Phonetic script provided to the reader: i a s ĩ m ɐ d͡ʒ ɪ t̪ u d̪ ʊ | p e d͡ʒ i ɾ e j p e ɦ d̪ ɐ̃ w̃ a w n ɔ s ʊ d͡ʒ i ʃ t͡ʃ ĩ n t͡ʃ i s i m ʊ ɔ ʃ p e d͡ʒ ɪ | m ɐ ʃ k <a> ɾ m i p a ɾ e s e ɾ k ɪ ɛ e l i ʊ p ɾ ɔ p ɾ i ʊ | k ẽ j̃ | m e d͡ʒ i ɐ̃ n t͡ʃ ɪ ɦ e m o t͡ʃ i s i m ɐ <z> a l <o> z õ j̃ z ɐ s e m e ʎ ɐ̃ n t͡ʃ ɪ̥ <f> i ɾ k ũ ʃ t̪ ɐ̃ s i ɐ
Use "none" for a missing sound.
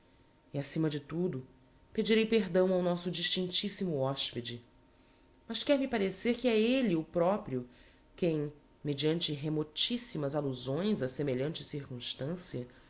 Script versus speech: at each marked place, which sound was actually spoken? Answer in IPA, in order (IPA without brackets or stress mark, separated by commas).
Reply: ɛ, z, u, s